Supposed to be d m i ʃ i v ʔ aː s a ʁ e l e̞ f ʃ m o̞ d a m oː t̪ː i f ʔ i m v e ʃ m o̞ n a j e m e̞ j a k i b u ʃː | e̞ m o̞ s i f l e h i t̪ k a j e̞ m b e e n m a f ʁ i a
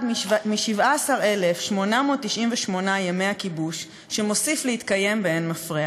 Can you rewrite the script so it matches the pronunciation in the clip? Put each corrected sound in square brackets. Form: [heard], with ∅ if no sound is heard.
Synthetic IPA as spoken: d m i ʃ i v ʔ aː s a ʁ e l e̞ f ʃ m o̞ [n] a m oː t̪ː i [ʃ] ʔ i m v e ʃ m o̞ n a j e m e̞ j a k i b u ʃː | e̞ m o̞ s i f l e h i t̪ k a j e̞ m b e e n m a f ʁ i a